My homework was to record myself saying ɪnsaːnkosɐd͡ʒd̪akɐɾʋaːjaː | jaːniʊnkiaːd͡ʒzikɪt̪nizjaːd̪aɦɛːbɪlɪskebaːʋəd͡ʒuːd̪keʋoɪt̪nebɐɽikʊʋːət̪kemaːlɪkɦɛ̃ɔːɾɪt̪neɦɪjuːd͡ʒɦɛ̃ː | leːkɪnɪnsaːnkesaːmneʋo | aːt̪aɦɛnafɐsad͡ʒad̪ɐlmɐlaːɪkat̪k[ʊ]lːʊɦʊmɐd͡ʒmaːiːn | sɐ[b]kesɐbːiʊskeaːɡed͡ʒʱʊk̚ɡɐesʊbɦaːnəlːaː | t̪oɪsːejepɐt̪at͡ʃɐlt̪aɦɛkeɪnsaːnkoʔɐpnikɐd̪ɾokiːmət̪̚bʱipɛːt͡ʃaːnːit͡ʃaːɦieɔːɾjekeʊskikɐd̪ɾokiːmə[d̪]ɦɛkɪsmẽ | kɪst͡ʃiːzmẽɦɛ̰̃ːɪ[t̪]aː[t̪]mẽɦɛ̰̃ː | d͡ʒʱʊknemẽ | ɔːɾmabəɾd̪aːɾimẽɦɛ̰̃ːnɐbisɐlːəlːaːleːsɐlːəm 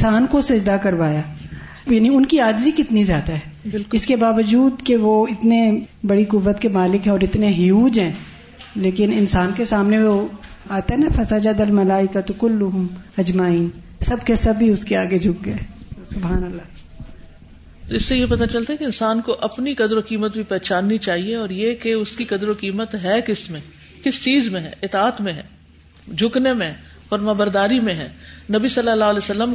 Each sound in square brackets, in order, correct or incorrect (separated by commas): correct, correct, incorrect, correct, correct